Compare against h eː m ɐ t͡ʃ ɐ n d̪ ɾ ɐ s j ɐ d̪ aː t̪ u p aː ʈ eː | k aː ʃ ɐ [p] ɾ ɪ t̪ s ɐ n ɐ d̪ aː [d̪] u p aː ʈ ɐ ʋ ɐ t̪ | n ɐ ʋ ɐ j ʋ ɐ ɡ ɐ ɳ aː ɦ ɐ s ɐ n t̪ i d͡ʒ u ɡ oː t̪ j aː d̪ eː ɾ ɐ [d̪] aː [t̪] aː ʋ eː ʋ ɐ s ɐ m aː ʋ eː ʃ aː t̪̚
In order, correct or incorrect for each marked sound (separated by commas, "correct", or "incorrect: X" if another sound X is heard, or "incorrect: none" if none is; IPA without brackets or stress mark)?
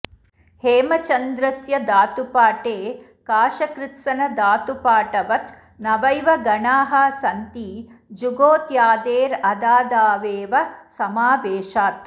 incorrect: k, incorrect: t̪, correct, incorrect: d̪